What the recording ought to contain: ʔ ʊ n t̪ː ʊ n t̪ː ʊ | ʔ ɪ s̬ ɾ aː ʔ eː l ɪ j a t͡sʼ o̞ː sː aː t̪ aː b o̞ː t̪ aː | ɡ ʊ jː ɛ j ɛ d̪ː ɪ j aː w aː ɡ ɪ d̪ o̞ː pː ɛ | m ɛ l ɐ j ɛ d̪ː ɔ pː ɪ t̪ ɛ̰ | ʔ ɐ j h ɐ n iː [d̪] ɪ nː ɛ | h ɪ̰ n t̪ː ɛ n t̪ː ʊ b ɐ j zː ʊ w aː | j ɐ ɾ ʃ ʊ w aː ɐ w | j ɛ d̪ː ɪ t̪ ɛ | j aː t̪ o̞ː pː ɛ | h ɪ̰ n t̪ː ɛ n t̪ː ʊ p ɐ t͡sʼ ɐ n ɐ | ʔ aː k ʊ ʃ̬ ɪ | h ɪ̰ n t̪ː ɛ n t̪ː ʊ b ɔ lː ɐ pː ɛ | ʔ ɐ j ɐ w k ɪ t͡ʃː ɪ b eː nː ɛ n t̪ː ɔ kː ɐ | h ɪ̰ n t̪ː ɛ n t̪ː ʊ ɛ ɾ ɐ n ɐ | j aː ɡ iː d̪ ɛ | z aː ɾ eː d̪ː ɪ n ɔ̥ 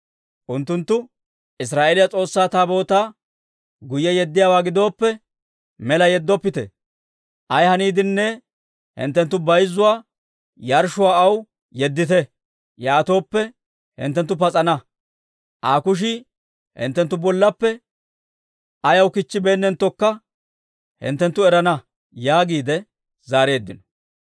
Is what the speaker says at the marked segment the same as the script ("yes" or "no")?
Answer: yes